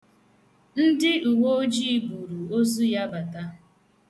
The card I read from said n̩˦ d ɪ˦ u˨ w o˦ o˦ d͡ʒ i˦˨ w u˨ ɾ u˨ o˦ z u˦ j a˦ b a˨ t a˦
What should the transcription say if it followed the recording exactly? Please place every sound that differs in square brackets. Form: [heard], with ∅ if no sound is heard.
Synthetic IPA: n̩˦ d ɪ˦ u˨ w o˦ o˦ d͡ʒ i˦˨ [b] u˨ ɾ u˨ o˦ z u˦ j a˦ b a˨ t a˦